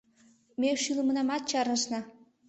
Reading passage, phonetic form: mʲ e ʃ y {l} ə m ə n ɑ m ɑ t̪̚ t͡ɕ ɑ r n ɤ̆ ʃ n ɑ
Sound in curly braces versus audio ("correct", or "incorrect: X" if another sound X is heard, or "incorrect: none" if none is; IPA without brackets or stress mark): correct